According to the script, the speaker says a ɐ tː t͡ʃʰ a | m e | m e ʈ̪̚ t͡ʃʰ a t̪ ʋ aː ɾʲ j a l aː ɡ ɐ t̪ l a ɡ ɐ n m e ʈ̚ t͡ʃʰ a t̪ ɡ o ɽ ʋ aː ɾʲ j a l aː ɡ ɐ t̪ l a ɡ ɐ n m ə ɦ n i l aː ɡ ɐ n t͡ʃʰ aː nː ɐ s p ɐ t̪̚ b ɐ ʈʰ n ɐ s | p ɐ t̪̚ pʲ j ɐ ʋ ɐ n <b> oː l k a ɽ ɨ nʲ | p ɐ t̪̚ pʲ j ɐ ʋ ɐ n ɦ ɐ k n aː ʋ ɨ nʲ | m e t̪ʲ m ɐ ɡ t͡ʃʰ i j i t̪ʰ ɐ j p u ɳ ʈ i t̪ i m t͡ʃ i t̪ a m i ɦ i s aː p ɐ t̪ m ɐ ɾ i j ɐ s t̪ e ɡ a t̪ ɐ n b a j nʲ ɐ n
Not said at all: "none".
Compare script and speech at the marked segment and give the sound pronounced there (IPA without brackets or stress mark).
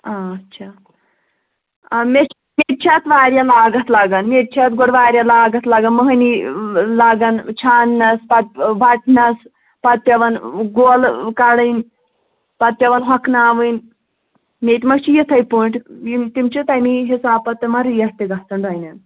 ɡ